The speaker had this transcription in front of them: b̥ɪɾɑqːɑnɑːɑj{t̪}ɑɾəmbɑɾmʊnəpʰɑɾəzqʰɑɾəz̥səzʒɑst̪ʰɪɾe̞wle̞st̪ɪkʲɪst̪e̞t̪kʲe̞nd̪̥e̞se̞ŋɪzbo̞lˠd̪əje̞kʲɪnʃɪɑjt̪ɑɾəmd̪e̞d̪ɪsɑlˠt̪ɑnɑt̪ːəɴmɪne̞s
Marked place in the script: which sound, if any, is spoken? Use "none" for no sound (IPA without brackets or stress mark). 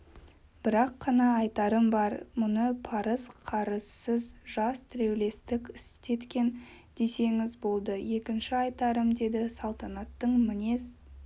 t̪